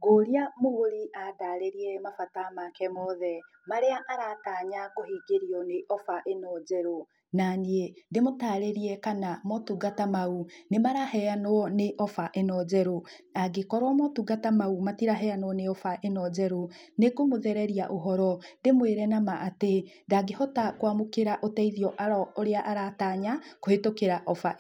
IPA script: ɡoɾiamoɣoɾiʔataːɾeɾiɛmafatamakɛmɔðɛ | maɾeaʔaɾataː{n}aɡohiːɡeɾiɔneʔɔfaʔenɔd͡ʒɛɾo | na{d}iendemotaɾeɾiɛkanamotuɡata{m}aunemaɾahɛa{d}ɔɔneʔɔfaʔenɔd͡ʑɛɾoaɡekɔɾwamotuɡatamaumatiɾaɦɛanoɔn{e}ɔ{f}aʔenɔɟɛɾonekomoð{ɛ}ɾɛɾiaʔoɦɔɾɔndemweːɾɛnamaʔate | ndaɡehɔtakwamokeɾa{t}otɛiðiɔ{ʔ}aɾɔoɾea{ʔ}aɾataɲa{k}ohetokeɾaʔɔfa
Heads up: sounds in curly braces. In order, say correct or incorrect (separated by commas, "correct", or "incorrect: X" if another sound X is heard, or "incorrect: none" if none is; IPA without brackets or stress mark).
incorrect: ɲ, incorrect: n, correct, incorrect: n, correct, correct, correct, incorrect: ʔ, correct, correct, correct